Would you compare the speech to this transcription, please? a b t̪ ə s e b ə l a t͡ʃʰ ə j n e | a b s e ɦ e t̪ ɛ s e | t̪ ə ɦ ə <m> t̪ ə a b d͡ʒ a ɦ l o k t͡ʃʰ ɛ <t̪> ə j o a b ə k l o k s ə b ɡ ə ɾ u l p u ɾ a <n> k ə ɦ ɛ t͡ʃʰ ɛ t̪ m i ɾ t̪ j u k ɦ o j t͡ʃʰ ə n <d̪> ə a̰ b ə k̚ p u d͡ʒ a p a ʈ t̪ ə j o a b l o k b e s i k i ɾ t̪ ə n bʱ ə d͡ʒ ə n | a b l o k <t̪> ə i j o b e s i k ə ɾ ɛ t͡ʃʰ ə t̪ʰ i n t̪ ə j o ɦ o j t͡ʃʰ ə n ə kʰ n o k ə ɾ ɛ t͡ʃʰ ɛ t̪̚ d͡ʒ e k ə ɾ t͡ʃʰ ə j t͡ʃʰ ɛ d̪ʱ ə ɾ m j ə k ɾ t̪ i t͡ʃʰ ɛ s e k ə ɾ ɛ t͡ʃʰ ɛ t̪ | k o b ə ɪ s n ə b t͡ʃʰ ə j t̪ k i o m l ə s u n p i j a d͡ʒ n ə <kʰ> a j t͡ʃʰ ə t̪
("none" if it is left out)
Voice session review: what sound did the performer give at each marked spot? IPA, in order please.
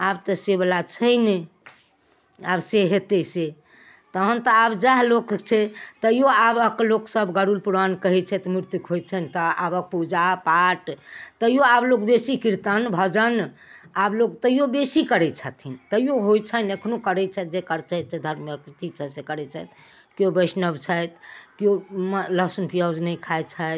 n, t̪, n, t̪, t̪, kʰ

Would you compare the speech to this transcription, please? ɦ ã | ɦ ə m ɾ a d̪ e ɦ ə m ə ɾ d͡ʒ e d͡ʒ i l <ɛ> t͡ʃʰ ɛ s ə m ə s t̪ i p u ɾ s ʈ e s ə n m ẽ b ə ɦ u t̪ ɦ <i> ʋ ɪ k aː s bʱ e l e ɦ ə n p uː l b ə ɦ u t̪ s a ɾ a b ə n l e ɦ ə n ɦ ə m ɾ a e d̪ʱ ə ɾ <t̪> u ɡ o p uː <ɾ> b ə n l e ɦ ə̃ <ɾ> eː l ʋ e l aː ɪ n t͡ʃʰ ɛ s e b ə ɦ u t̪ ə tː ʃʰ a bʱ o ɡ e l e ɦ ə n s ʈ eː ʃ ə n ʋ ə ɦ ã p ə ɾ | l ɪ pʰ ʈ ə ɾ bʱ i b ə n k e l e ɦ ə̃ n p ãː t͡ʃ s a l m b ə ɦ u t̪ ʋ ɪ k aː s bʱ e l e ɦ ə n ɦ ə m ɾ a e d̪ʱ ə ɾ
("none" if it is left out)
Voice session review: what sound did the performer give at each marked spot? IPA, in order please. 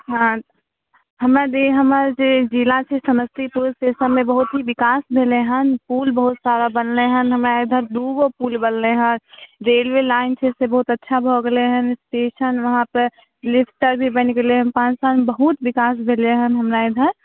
a, i, d̪, l, ɾ

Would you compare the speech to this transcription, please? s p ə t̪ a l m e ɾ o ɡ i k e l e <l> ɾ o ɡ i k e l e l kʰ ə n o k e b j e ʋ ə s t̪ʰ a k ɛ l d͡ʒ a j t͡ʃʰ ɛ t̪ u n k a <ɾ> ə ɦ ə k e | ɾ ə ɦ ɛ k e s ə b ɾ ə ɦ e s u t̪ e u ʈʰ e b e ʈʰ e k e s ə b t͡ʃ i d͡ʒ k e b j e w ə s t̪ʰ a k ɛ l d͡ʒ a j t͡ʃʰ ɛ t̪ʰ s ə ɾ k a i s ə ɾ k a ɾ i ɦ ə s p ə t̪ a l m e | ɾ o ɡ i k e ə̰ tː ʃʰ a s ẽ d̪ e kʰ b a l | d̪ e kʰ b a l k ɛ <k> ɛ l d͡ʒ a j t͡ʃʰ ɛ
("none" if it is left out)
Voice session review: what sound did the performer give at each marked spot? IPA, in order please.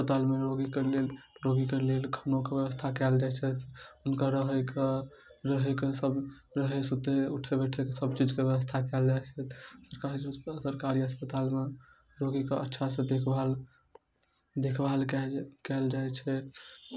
l, ɾ, k

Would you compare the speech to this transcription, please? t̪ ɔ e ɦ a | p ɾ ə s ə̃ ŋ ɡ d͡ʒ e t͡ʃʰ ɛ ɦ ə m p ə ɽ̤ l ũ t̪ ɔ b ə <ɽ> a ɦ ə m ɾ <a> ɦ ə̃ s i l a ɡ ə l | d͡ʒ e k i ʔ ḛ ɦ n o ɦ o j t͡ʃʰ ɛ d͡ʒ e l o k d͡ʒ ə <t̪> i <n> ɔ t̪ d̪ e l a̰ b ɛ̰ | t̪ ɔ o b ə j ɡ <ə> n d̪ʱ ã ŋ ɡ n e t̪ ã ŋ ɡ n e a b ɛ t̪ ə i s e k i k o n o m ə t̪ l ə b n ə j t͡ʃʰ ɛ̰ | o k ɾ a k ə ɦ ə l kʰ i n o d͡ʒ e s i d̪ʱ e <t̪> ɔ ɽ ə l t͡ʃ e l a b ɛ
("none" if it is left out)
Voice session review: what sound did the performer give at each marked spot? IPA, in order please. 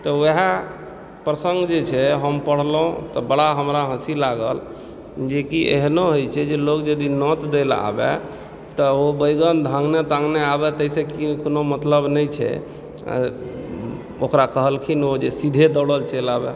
ɽ, a, d̪, n, ə, d̪

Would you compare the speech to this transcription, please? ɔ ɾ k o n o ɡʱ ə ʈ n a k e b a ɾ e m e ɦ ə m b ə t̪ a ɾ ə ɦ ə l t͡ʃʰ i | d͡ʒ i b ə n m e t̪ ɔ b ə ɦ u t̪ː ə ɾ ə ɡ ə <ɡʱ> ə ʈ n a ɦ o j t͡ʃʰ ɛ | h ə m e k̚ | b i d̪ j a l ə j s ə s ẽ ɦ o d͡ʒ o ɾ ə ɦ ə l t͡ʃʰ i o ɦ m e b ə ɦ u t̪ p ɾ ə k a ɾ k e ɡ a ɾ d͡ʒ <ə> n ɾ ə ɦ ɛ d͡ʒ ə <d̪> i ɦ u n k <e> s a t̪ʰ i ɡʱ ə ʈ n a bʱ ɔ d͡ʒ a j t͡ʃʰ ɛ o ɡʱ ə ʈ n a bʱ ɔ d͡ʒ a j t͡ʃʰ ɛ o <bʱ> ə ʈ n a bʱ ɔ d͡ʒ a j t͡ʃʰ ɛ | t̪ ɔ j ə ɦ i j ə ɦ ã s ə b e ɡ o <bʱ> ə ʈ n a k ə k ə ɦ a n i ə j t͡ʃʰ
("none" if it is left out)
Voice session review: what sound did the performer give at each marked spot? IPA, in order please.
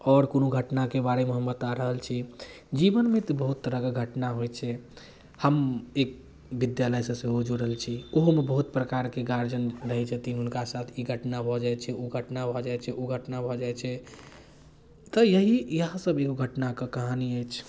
ɡʱ, ə, t̪, a, ɡʱ, ɡʱ

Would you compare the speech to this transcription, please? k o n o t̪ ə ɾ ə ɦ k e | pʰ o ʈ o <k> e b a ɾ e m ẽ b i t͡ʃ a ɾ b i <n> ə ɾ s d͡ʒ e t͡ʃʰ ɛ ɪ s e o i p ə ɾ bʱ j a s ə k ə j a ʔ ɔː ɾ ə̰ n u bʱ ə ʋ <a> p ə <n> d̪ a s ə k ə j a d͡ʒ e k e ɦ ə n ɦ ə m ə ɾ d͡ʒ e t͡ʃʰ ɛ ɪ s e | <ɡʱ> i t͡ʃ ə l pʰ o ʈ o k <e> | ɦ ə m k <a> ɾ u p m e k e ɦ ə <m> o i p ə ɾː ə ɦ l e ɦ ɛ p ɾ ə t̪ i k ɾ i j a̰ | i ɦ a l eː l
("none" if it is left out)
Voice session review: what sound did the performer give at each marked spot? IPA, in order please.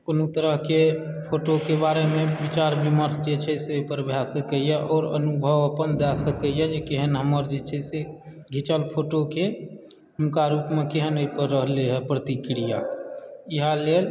k, m, ə, n, ɡʱ, e, a, n

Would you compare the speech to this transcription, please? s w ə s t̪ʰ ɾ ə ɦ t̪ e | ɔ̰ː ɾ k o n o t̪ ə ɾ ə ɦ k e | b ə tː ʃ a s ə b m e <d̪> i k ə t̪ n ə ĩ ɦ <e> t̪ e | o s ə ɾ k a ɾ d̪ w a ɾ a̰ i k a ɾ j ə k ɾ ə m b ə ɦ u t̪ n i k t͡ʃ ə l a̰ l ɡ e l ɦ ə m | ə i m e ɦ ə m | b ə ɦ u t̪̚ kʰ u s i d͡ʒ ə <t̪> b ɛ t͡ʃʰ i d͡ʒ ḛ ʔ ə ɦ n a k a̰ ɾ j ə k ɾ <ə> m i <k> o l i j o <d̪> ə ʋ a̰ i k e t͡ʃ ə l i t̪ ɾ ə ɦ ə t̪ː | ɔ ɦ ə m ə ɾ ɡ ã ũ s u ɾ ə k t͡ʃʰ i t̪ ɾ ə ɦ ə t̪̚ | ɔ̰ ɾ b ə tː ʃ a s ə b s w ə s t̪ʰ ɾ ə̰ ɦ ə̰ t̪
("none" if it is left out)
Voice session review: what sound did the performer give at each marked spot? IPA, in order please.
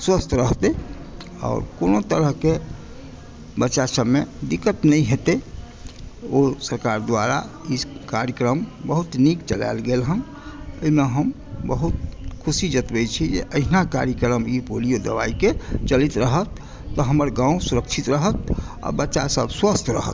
d̪, e, t̪, ə, p, d̪

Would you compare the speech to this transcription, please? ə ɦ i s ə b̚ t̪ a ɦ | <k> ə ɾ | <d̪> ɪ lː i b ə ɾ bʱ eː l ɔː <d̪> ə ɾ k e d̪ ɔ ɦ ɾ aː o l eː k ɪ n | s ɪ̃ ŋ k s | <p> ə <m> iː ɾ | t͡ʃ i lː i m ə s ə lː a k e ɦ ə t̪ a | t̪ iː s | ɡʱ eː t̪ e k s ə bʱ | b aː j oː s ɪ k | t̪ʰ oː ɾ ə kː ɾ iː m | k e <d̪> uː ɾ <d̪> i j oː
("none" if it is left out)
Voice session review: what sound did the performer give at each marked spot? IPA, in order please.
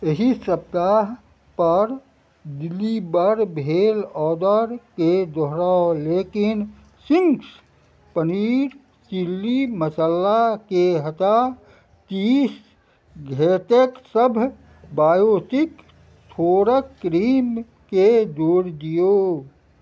p, d̪, d̪, p, n, d̪, d̪

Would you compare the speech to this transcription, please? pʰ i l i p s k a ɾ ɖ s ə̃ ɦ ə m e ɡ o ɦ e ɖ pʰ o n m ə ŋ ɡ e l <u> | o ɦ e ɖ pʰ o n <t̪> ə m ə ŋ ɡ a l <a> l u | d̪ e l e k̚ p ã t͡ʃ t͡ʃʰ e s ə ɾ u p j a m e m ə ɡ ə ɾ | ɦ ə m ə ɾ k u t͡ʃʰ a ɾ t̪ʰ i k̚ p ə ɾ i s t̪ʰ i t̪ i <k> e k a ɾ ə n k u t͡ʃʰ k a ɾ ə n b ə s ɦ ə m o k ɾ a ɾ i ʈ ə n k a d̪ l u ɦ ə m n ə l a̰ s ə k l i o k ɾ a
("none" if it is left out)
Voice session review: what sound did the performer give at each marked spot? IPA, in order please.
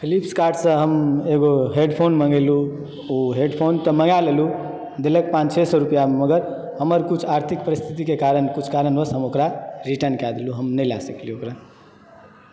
u, t̪, e, k

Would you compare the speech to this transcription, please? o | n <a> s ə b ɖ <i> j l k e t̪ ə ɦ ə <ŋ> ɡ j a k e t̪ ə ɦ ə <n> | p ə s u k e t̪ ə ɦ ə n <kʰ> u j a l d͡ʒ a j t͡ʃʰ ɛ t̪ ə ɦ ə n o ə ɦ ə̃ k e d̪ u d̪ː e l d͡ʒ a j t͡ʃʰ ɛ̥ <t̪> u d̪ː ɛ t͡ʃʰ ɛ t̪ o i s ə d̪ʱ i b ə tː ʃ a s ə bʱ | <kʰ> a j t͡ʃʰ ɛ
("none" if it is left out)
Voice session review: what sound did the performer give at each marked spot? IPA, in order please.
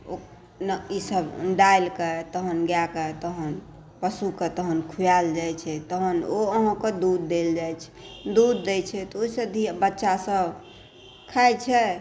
i, a, n, n, kʰ, d̪, kʰ

